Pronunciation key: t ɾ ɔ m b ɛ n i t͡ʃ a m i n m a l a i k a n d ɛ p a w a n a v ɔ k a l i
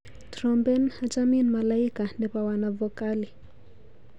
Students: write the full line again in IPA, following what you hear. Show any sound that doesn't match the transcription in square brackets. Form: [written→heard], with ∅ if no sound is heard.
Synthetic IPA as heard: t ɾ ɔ m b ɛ n [i→a] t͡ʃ a m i n m a l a i k a n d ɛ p a w a n a v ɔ k a l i